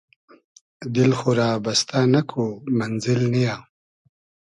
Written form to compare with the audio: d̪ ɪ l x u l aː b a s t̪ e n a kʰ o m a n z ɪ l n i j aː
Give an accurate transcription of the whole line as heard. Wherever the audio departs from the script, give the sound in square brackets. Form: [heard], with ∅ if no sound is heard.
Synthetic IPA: d̪ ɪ l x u [ɾ] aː b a s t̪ [a] n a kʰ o m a n z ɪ l n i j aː